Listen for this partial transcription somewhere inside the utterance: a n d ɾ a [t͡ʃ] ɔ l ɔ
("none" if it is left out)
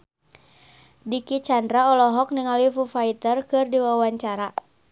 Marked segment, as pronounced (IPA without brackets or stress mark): none